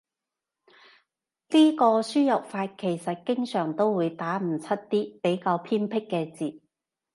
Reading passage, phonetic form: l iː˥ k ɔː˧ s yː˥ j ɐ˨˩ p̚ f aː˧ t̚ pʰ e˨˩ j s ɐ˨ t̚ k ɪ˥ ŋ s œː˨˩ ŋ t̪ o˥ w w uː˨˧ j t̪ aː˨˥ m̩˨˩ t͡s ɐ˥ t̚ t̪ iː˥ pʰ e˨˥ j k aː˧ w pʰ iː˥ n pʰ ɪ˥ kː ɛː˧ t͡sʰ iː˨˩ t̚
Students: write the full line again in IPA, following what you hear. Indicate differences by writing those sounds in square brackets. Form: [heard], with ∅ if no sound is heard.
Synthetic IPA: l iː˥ k ɔː˧ s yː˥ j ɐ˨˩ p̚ f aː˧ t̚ [kʰ] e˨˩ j s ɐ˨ t̚ k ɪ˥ ŋ s œː˨˩ ŋ t̪ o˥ w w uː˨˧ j t̪ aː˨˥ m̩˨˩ [t͡sʰ] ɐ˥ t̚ t̪ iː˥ [p] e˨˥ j k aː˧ w pʰ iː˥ n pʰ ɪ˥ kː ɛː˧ [t͡s] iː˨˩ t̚

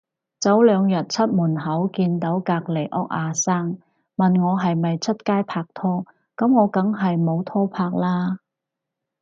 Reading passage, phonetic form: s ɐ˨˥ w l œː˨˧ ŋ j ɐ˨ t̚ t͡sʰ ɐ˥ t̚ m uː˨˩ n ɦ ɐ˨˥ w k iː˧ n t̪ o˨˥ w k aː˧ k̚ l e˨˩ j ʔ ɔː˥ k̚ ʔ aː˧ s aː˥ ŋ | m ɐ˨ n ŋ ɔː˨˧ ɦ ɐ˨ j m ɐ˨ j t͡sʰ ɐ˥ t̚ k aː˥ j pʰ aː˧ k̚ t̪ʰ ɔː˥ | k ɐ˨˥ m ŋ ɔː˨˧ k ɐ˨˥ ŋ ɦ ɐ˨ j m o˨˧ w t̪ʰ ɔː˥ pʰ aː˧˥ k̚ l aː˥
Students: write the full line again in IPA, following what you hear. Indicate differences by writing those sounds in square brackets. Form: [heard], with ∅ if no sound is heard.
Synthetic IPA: [t͡s] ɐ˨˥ w l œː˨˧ ŋ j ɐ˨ t̚ t͡sʰ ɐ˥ t̚ m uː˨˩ n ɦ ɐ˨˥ w k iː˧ n t̪ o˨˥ w k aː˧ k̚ l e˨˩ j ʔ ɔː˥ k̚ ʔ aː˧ s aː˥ ŋ | m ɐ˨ n ŋ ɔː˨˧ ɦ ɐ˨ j m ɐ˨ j t͡sʰ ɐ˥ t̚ k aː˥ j pʰ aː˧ k̚ t̪ʰ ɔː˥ | k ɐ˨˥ m ŋ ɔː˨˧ k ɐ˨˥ ŋ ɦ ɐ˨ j m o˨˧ w t̪ʰ ɔː˥ pʰ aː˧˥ k̚ l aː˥

